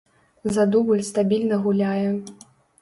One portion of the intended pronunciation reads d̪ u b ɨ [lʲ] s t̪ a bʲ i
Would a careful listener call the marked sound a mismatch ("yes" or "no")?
no